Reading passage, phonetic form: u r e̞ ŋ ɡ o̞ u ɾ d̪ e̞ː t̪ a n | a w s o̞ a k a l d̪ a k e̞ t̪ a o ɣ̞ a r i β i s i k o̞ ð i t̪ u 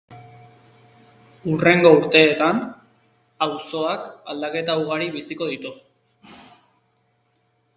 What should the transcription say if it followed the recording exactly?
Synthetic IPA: u r e̞ ŋ ɡ o̞ u ɾ t̪ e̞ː t̪ a n | a w s o̞ a k a l d̪ a k e̞ t̪ a u ɣ̞ a ɾ i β i s i k o̞ ð i t̪ u